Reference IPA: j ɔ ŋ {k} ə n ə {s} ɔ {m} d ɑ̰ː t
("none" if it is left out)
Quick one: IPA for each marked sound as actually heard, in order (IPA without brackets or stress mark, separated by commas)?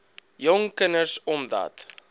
k, s, m